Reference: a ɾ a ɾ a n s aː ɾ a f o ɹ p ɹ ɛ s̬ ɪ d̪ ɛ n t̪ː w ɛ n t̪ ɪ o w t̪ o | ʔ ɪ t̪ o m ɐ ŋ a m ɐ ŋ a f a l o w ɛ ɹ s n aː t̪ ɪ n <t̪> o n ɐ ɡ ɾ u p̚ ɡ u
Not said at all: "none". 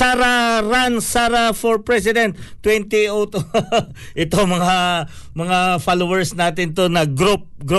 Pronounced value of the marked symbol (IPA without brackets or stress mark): t̪